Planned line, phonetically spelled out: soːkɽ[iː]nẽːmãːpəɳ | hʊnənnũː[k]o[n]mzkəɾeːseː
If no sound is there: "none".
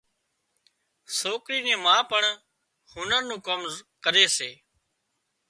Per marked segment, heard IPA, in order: iː, k, none

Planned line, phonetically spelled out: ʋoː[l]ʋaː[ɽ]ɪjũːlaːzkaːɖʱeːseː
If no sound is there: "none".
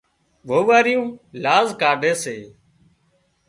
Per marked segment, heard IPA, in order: none, ɾ

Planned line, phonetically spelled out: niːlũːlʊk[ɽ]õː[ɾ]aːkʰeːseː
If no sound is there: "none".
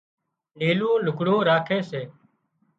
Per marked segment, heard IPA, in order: ɽ, ɾ

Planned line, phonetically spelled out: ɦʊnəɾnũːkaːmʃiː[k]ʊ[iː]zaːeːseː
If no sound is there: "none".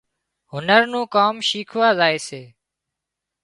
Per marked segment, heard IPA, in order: kʰ, aː

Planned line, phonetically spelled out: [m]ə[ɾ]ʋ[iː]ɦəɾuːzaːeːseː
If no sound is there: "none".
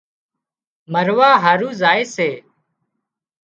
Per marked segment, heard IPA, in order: m, ɾ, aː

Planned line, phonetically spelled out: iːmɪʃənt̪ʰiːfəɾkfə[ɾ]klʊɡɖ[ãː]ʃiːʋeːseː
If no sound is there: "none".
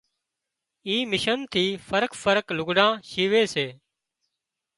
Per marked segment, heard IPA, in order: ɾ, ãː

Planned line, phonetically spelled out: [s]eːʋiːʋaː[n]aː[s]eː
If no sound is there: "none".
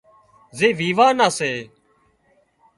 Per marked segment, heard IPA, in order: z, n, s

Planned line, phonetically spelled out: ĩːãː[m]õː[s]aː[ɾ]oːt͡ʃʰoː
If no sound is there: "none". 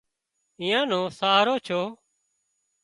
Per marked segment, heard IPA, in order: n, s, ɾ

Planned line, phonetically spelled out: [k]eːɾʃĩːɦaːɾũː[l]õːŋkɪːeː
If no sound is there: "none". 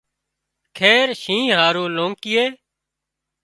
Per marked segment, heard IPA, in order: kʰ, l

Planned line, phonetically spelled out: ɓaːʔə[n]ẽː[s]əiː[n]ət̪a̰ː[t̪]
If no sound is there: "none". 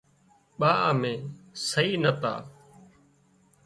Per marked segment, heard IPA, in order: m, s, n, none

